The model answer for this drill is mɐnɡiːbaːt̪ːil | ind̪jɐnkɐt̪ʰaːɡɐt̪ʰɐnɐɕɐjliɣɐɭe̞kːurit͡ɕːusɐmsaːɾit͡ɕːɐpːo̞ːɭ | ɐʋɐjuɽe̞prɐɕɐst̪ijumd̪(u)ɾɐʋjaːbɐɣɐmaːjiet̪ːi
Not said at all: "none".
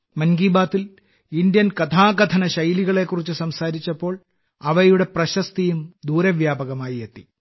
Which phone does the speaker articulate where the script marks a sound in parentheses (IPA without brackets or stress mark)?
uː